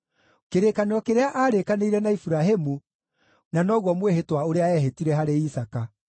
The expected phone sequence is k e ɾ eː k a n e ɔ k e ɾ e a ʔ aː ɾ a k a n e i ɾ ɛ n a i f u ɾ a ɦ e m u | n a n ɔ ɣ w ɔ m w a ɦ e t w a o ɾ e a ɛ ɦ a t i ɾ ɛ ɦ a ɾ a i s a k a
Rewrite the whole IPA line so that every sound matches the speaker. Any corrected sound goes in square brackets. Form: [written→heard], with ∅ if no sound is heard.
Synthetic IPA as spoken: k e ɾ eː k a n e ɔ k e ɾ e a ʔ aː ɾ [a→e] k a n e i ɾ ɛ n a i f u ɾ a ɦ e m u | n a n ɔ ɣ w ɔ m w [a→e] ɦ e t w a o ɾ e a ɛ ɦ [a→e] t i ɾ ɛ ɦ a ɾ [a→e] i s a k a

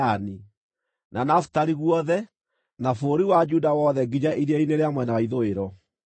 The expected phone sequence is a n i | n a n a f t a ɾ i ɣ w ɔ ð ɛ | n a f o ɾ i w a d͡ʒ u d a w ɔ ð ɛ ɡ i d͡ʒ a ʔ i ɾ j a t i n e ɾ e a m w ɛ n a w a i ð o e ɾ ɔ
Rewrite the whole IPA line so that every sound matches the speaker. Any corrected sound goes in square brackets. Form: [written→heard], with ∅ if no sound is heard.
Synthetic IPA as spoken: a n i | n a n a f t a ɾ i ɣ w ɔ ð ɛ | n a f o ɾ i w a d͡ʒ u d a w ɔ ð ɛ ɡ i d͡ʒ a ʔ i ɾ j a [t→∅] i n e ɾ e a m w ɛ n a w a i ð o e ɾ ɔ

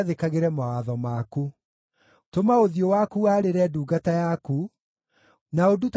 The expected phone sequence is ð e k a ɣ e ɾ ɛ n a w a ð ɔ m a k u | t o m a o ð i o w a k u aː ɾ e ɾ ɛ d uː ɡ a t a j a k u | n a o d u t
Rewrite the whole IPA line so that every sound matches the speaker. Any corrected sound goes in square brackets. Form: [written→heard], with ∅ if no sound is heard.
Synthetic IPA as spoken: ð e k a ɣ e ɾ ɛ [n→m] a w a ð ɔ m a k u | t o m a o ð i o w a k u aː ɾ e ɾ ɛ d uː ɡ a t a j a k u | n a o d u t

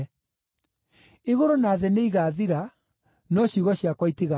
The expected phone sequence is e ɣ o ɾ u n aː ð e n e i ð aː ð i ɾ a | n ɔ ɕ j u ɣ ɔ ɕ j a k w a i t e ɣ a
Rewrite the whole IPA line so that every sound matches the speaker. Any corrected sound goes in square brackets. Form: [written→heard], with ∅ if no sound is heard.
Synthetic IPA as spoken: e ɣ o ɾ [u→o] n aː ð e n e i [ð→ɣ] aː ð i ɾ a | n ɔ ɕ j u ɣ ɔ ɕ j a k w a i t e ɣ a

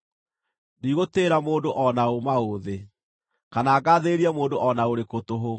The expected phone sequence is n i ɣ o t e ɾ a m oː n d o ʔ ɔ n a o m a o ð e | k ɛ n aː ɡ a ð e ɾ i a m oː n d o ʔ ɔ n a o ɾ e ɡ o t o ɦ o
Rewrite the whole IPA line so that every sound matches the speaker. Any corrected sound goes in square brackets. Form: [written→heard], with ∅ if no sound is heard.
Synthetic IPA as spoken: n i ɣ o t e ɾ a m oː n d o ʔ ɔ n a o m a o ð e | k [ɛ→a] n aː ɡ a ð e ɾ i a m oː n d o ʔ ɔ n a o ɾ e [ɡ→k] o t o ɦ o

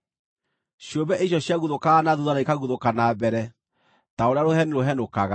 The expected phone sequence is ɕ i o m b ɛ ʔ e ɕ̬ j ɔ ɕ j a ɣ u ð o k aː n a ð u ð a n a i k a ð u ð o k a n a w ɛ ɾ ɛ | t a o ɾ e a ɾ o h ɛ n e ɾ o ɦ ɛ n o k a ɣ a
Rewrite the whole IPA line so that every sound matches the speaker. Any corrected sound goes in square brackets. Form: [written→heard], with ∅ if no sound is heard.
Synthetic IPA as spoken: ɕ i o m b ɛ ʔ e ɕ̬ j ɔ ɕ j a ɣ u ð o k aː n a ð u ð a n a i k a [ð→ɣ] u ð o k a n a [w→b] ɛ ɾ ɛ | t a o ɾ e a ɾ o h ɛ n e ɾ o ɦ ɛ n o k a ɣ a

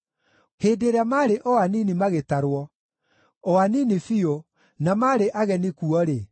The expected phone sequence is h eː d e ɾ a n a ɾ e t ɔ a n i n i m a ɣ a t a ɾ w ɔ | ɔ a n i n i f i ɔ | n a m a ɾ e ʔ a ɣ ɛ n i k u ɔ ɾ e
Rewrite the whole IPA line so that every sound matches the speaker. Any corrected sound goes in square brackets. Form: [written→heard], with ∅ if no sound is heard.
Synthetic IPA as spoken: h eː d e ɾ a [n→m] a ɾ e [t→ʔ] ɔ a n i n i m a ɣ [a→e] t a ɾ w ɔ | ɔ a n i n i f i [ɔ→o] | n a m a ɾ e ʔ a ɣ ɛ n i k u ɔ ɾ e

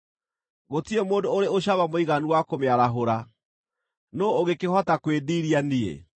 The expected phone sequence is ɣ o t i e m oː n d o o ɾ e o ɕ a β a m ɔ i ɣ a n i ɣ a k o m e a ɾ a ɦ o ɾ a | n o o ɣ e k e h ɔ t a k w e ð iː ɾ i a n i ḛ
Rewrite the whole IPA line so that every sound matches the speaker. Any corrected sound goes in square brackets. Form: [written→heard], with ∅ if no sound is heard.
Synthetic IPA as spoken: ɣ o t i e m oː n d o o ɾ e o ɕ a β a m [ɔ→o] i ɣ a n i [ɣ→w] a k o m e a ɾ a ɦ o ɾ a | n o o ɣ e k e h ɔ t a k w e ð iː ɾ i a n i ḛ

